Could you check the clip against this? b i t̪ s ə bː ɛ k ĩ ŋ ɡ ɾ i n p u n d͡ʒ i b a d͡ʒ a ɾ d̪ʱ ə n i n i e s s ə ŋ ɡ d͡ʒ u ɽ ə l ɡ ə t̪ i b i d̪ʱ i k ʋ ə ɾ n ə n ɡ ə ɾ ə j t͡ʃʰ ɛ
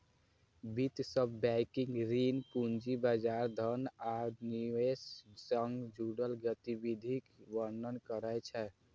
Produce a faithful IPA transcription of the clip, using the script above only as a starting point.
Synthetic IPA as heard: b i t̪ s ə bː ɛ k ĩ ŋ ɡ ɾ i n p u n d͡ʒ i b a d͡ʒ a ɾ d̪ʱ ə n a n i e s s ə ŋ ɡ d͡ʒ u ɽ ə l ɡ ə t̪ i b i d̪ʱ i k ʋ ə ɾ n ə n k ə ɾ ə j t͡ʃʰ ɛ